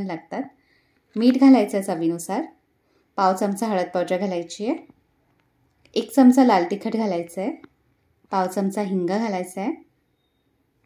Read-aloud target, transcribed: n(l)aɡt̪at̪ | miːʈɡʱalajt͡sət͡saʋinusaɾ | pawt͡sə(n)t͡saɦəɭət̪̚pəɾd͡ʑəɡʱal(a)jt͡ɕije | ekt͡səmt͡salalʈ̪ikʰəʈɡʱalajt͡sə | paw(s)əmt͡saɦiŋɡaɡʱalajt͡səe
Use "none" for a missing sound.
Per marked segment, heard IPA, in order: l, m, a, t͡s

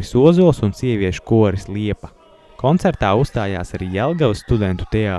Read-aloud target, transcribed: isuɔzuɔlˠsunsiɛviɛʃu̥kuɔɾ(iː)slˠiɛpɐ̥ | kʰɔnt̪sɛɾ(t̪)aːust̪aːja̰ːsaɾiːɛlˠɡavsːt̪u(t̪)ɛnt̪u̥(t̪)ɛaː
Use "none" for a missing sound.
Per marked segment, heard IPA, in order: i, t̪, d̪, t̪

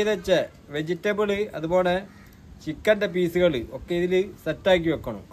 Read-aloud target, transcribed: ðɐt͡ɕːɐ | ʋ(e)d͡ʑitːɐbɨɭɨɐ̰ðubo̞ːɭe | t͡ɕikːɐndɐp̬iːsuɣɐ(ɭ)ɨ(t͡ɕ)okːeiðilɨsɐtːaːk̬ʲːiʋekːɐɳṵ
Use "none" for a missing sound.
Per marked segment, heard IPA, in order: e, ɭ, none

